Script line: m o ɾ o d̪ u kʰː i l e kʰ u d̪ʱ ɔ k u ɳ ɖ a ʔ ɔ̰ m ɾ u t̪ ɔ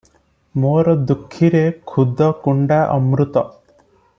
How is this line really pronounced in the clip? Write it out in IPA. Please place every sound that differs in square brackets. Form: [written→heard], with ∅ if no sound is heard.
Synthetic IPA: m o ɾ [o→ɔ] d̪ u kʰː i [l→ɾ] e kʰ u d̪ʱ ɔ k u ɳ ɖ a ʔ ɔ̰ m ɾ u t̪ ɔ